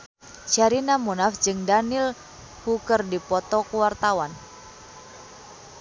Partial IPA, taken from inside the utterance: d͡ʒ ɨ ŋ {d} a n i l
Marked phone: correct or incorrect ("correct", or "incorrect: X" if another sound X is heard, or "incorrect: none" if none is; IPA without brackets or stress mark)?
correct